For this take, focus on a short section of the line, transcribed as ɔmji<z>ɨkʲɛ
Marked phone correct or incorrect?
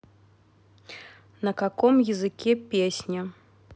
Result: correct